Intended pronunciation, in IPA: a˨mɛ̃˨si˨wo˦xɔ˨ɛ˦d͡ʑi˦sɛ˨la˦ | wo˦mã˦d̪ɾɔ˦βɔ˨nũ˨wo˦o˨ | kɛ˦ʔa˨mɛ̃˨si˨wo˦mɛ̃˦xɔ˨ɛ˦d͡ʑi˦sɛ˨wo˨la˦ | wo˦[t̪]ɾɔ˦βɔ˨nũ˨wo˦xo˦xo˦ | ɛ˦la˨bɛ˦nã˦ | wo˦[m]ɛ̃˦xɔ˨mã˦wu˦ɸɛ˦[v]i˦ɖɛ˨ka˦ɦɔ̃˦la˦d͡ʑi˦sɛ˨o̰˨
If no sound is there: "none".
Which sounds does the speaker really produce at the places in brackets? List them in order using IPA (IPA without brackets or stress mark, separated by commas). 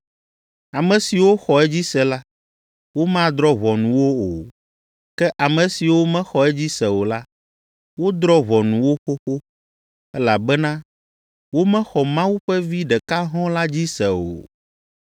d̪, m, v